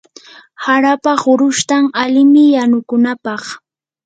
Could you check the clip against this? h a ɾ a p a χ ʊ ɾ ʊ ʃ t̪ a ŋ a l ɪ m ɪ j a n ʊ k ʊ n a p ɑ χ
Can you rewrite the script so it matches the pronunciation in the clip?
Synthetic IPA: h a ɾ a p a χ ʊ ɾ ʊ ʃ t̪ a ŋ a l ɪ m ɪ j a n ʊ k ʊ n a p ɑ χ